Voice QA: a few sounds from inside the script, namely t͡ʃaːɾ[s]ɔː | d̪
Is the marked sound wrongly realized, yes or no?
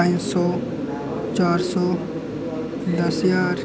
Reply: no